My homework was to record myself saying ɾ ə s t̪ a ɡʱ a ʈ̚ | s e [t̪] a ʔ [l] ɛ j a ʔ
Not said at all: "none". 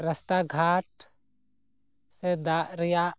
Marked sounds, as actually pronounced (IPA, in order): d̪, ɾ

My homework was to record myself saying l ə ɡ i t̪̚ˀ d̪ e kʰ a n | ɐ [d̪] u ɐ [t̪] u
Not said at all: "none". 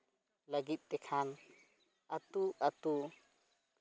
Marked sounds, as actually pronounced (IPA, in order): t̪, t̪

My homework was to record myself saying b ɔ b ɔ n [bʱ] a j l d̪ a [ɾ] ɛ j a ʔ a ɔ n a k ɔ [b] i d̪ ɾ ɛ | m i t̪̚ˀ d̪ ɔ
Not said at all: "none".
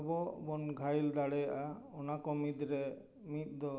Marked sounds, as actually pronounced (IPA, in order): ɡʱ, ɽ, m

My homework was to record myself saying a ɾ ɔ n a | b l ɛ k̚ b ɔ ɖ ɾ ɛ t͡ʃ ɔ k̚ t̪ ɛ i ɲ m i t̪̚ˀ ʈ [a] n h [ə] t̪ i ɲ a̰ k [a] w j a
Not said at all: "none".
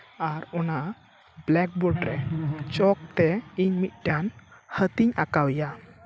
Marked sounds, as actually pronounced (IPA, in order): a, ə, a

